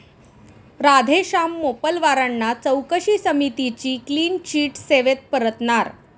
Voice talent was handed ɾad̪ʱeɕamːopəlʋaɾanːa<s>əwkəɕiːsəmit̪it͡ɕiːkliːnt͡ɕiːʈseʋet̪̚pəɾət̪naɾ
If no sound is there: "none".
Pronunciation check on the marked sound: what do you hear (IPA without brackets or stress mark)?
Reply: t͡s